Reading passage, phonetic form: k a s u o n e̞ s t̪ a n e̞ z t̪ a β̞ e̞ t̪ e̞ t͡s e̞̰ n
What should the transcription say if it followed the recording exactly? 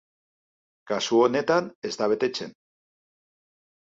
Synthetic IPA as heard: k a s u o n e̞ t̪ a n e̞ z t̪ a β̞ e̞ t̪ e̞ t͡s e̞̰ n